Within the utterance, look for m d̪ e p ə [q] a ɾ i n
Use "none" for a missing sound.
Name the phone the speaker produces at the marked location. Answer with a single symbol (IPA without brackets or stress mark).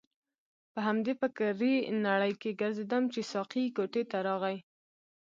k